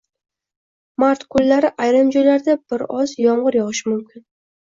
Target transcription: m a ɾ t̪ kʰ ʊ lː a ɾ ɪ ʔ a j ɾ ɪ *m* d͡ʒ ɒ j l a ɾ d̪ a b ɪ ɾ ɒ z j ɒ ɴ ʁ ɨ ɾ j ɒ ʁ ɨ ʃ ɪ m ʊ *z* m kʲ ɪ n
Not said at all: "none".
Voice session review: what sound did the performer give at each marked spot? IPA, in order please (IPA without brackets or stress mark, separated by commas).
m, none